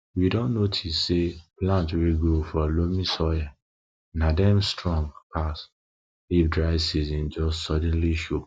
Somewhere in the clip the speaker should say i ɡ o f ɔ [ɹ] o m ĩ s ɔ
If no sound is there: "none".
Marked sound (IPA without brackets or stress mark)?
l